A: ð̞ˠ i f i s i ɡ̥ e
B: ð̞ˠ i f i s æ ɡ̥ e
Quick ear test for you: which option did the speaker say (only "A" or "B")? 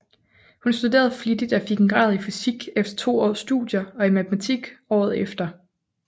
A